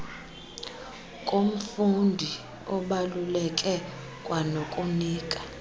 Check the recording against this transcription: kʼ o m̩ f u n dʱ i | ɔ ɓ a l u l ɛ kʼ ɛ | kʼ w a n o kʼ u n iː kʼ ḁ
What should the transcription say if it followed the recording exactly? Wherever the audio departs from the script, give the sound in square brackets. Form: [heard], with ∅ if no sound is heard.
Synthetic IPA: kʼ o m̩ f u n dʱ i | ɔ ɓ a l u l ɛ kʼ ɛ | kʼ w a n o kʼ u n iː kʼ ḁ

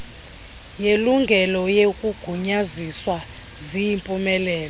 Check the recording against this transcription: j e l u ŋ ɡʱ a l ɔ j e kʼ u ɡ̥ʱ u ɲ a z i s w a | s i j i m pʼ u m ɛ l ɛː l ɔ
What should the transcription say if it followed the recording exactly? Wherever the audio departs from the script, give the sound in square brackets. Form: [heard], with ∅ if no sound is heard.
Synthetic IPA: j e l u ŋ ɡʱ [ɛ] l ɔ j e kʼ u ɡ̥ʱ u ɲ a z i s w a | [z] i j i m pʼ u m ɛ l ɛː l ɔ

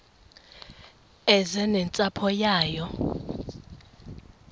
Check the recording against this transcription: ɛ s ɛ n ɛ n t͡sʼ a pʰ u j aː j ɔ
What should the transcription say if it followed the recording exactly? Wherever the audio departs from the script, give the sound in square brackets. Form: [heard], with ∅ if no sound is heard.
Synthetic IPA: ɛ [z] ɛ n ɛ n t͡sʼ a pʰ [ɔ] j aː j ɔ

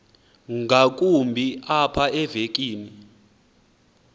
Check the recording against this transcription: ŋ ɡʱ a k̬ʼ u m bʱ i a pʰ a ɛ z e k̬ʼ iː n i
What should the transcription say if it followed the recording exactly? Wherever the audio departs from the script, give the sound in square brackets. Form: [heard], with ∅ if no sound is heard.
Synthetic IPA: ŋ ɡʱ a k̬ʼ u m bʱ i a pʰ a ɛ [v] e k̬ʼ iː n i

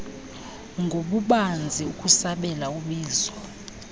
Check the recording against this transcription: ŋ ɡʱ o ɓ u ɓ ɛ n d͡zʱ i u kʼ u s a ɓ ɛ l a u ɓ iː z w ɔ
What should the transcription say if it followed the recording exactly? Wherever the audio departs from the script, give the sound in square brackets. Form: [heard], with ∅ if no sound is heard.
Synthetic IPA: ŋ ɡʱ o ɓ u ɓ [a] n d͡zʱ i u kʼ u s a ɓ ɛ l a u ɓ iː z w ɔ

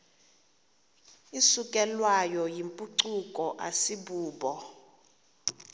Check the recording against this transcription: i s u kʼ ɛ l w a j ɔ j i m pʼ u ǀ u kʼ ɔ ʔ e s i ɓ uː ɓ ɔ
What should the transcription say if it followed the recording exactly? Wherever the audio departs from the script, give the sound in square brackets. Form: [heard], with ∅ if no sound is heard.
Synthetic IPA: i s u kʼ ɛ l w a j ɔ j i m pʼ u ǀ u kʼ ɔ ʔ [a] s i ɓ uː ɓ ɔ

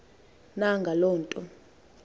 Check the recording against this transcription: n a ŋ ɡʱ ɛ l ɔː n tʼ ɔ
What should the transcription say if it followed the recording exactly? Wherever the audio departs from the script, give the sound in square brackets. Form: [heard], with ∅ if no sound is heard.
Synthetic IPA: n a ŋ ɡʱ [a] l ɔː n tʼ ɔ

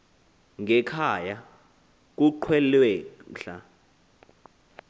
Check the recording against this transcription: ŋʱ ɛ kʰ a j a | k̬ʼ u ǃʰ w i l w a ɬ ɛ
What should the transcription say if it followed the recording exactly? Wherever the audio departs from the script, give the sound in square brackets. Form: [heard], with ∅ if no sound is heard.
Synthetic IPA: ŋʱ ɛ kʰ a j a | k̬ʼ u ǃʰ w [ɛ] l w [ɛ] ɬ [a]

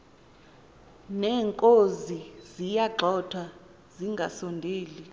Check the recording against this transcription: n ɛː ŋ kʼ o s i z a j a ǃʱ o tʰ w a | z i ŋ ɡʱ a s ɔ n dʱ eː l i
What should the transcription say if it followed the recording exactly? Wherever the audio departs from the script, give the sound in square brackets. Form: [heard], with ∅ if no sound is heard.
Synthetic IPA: n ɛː ŋ kʼ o [z] i z [i] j a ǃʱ [ɔ] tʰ w a | z i ŋ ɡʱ a s ɔ n dʱ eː l i

